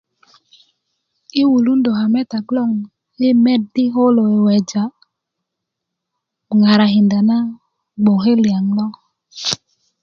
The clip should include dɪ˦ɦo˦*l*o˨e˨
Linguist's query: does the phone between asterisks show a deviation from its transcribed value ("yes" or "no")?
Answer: no